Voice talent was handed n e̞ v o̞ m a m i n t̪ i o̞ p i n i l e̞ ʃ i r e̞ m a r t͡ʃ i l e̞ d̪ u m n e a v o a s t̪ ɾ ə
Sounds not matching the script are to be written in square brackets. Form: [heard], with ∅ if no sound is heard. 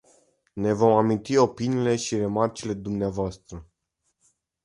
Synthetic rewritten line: n e̞ v o̞ m a m i n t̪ i o̞ p i n [iː] l e̞ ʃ i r e̞ m a r t͡ʃ i l e̞ d̪ u m n e a v o a s t̪ ɾ ə